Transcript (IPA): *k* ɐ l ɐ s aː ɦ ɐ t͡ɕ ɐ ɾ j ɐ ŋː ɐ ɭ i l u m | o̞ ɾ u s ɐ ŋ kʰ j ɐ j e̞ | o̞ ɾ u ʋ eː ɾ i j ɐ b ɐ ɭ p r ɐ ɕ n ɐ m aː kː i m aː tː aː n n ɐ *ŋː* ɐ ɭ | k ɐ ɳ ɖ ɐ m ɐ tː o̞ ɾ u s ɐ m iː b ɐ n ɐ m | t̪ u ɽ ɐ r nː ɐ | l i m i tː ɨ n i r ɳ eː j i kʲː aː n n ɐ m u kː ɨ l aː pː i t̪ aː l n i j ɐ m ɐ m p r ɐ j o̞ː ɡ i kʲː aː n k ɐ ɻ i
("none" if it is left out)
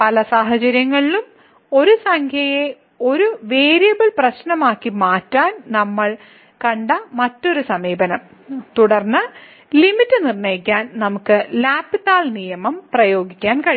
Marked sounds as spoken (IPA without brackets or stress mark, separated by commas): p, mː